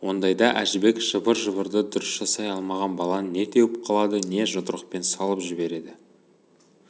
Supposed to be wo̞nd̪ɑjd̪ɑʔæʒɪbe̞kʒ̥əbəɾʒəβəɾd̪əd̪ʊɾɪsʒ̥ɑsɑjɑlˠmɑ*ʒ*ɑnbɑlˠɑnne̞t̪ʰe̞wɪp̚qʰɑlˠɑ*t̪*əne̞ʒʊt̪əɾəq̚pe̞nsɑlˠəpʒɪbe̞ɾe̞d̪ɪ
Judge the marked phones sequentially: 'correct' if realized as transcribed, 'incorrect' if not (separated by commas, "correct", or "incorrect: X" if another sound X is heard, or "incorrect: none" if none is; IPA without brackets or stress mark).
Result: incorrect: ʁ, incorrect: d̪